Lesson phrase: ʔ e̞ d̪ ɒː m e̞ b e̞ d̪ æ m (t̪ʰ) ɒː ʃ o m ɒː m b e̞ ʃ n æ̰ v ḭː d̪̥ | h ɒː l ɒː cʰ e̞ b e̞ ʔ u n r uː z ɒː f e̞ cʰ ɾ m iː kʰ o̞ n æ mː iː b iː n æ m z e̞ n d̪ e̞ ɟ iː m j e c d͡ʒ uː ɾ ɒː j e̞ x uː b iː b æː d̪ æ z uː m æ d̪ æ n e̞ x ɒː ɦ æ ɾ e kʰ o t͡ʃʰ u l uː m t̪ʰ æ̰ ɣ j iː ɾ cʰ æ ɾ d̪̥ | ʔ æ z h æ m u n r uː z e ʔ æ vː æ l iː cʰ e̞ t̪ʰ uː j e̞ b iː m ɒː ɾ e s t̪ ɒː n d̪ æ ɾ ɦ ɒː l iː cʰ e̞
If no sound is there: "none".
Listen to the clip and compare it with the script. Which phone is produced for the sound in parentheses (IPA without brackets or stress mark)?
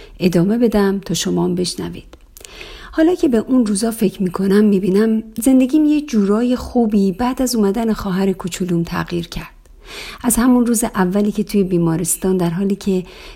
t̪ʰ